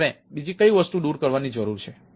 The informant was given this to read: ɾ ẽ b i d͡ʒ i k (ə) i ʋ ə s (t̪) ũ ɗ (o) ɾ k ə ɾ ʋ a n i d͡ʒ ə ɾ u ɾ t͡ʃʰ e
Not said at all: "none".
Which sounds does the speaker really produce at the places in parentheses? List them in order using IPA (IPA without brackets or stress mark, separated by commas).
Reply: ə, t̪, u